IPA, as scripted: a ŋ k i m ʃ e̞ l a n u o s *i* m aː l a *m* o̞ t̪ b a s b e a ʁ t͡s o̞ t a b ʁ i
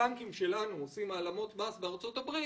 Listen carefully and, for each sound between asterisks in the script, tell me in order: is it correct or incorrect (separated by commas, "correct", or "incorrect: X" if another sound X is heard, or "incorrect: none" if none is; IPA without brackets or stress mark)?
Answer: correct, correct